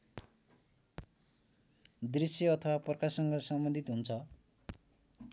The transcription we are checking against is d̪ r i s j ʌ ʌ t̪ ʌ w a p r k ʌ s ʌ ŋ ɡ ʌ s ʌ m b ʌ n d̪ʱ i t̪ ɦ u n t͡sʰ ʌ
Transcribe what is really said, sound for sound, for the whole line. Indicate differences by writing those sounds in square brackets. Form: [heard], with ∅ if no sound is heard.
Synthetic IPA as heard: d̪ r i s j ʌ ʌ [t̪ʰ] ʌ w a p r k [a] s ʌ ŋ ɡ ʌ s ʌ m b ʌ n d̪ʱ i t̪ ɦ u n t͡sʰ ʌ

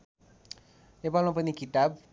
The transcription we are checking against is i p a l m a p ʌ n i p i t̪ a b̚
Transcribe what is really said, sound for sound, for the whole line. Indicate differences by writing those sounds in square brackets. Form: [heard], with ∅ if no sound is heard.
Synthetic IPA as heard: [e] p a l m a p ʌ n i [k] i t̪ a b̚

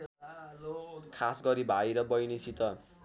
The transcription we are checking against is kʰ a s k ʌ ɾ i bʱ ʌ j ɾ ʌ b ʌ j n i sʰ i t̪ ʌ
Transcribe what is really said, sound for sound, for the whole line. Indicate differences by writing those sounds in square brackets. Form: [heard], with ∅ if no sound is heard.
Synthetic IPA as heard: kʰ a s [ɡ] ʌ ɾ i bʱ [a] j ɾ ʌ b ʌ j n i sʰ i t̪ ʌ

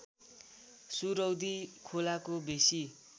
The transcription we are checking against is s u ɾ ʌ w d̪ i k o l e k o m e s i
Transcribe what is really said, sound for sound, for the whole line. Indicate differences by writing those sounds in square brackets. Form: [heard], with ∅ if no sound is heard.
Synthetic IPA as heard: s u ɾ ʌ w d̪ i [kʰ] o l [a] k o [b] e s i

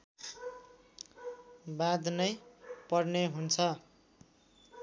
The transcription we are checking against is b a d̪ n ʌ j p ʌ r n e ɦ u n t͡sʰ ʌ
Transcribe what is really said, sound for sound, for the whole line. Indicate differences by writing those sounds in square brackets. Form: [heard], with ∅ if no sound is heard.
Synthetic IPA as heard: b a d̪ n ʌ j p ʌ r n e ɦ u n t͡sʰ ʌ

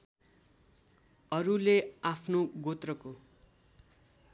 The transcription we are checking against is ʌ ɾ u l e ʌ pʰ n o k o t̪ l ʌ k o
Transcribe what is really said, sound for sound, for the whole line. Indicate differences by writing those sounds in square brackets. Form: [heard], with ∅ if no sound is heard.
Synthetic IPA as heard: ʌ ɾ u l e [a] pʰ n o [ɡ] o t̪ [r] ʌ k o

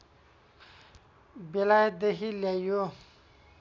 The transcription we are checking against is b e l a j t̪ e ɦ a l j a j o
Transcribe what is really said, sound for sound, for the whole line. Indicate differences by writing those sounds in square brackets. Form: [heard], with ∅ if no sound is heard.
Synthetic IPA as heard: b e l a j [d̪] e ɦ [i] l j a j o

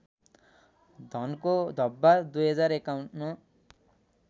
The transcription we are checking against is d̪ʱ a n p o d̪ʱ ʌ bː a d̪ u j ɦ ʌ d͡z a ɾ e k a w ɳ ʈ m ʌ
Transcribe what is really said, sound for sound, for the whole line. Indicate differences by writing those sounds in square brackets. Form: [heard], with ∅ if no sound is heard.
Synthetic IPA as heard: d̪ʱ [ʌ] n [k] o d̪ʱ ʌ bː a d̪ u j ɦ ʌ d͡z a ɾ e k a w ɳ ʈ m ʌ

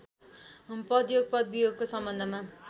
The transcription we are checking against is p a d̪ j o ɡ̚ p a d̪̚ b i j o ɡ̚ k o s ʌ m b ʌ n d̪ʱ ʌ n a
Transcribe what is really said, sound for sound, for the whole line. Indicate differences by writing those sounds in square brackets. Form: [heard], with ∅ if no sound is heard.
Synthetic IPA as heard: p [ʌ] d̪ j o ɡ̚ p [ʌ] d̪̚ b i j o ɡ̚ k o s ʌ m b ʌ n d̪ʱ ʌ [m] a

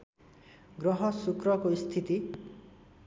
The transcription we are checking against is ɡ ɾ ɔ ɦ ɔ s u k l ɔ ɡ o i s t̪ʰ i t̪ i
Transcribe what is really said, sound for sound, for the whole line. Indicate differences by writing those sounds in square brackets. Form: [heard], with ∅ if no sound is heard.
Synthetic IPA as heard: ɡ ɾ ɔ ɦ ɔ s u k [ɾ] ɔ [k] o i s t̪ʰ i t̪ i

